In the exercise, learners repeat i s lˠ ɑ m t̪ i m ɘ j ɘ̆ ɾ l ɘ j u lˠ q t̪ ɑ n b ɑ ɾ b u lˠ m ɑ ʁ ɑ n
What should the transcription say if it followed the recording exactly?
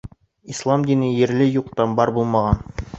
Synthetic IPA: i s lˠ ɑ m d̪ i n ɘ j ɘ̆ ɾ l ɘ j u q t̪ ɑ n b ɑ ɾ b u lˠ m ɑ ʁ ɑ n

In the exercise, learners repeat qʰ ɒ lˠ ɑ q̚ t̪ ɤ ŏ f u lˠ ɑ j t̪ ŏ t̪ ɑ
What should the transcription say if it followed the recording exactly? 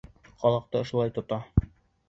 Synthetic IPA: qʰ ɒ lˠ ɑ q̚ t̪ ɤ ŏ ʃ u lˠ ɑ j t̪ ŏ t̪ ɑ

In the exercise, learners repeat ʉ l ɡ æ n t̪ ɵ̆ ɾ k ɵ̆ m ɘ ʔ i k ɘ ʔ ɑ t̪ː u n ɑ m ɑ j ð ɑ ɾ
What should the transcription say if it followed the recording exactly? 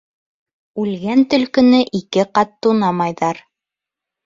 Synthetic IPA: ʉ l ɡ æ n t̪ ɵ̆ l k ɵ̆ n ɘ ʔ i k ɘ q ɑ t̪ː u n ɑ m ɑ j ð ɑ ɾ

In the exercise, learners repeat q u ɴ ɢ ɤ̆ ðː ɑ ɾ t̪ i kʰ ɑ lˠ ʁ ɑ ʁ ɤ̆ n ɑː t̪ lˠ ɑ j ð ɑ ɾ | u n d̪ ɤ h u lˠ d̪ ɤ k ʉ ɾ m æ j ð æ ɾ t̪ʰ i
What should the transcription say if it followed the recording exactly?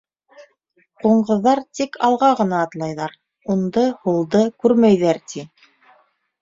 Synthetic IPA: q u ɴ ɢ ɤ̆ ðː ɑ ɾ t̪ i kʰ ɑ lˠ ʁ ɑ ʁ ɤ̆ n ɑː t̪ lˠ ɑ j ð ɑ ɾ | u n d̪ ɤ h u lˠ d̪ ɤ k ʉ ɾ m æ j ð æ ɾ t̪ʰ i

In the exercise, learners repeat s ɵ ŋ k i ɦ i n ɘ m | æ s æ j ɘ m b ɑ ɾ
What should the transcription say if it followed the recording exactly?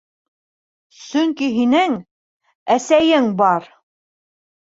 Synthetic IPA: s ɵ ŋ k i ɦ i n ɘ ŋ | æ s æ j ɘ ŋ b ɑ ɾ

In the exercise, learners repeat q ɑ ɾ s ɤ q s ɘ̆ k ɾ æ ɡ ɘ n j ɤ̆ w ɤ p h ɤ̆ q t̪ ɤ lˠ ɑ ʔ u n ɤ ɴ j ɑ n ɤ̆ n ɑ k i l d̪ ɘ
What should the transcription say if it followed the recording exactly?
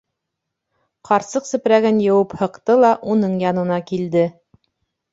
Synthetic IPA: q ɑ ɾ s ɤ q s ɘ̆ p ɾ æ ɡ ɘ n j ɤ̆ w ɤ p h ɤ̆ q t̪ ɤ lˠ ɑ ʔ u n ɤ ɴ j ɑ n ɤ̆ n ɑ k i l d̪ ɘ

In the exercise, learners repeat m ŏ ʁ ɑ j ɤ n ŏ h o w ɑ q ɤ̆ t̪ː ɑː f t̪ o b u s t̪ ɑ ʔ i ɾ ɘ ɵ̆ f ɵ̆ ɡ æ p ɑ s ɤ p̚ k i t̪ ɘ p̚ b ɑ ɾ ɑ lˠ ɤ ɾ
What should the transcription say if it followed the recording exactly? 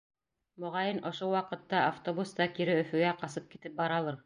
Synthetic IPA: m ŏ ʁ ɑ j ɤ n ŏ ʃ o w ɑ q ɤ̆ t̪ː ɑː f t̪ o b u s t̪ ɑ k i ɾ ɘ ɵ̆ f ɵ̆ ɡ æ q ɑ s ɤ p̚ k i t̪ ɘ p̚ b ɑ ɾ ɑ lˠ ɤ ɾ

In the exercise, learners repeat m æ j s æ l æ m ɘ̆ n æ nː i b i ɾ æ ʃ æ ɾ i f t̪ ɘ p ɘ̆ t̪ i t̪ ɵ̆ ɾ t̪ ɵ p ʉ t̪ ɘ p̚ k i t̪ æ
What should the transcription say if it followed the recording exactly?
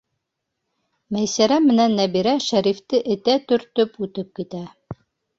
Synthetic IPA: m æ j s æ ɾ æ m ɘ̆ n æ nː æ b i ɾ æ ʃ æ ɾ i f t̪ ɘ ʔ ɘ̆ t̪ æ t̪ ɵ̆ ɾ t̪ ɵ p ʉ t̪ ɘ p̚ k i t̪ æ

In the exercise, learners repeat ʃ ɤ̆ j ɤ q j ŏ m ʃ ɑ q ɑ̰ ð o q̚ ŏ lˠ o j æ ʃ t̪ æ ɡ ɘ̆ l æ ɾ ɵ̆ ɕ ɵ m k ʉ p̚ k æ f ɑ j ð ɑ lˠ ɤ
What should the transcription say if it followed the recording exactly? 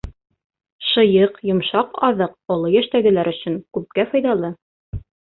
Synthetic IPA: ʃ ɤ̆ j ɤ q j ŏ m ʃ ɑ q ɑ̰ ð ɤ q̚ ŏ lˠ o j æ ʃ t̪ æ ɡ ɘ̆ l æ ɾ ɵ̆ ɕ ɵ ŋ k ʉ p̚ k æ f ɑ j ð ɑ lˠ ɤ

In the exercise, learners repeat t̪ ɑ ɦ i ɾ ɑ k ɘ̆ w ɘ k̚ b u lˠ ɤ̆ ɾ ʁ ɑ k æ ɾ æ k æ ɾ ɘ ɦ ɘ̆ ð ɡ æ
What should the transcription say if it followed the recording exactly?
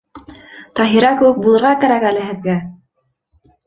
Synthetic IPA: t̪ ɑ ɦ i ɾ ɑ k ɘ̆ w ɘ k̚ b u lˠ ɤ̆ ɾ ʁ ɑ k æ ɾ æ k æ l ɘ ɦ ɘ̆ ð ɡ æ

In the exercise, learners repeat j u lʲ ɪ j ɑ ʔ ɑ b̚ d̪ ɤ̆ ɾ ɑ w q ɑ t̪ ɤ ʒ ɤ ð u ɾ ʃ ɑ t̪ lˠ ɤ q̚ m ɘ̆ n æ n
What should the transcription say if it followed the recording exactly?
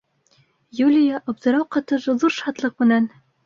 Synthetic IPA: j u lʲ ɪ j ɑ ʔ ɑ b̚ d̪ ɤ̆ ɾ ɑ w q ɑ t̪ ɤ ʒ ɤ ð u ɾ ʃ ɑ t̪ lˠ ɤ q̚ m ɘ̆ n æ n

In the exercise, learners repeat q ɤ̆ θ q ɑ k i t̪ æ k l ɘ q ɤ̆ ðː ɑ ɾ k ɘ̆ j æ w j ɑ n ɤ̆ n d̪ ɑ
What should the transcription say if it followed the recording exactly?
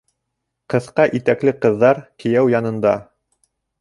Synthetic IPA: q ɤ̆ θ q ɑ ʔ i t̪ æ k l ɘ q ɤ̆ ðː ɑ ɾ k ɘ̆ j æ w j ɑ n ɤ̆ n d̪ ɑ

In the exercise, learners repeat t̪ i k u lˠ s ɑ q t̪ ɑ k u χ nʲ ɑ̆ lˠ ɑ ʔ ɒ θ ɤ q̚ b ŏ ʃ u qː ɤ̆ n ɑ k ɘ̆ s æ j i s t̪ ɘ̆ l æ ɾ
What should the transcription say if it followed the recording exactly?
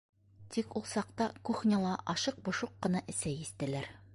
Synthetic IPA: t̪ i k u lˠ s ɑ q t̪ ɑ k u χ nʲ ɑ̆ lˠ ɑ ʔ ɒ ʃ ɤ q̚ b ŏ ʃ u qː ɤ̆ n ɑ ʔ ɘ̆ s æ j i s t̪ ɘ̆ l æ ɾ

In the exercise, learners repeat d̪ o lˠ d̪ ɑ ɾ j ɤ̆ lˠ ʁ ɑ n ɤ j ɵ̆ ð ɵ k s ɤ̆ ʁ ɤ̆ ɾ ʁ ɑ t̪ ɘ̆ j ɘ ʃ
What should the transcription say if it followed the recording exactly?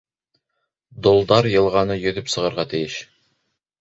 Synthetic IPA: d̪ o lˠ d̪ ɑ ɾ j ɤ̆ lˠ ʁ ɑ n ɤ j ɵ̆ ð ɵ p s ɤ̆ ʁ ɤ̆ ɾ ʁ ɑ t̪ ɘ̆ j ɘ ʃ

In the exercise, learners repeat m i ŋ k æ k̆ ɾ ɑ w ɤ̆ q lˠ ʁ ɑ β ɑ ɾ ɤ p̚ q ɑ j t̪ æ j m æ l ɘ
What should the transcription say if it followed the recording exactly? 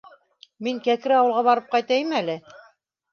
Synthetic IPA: m i ŋ k æ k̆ ɾ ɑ w ɤ̆ lˠ ʁ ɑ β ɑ ɾ ɤ p̚ q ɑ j t̪ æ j m æ l ɘ

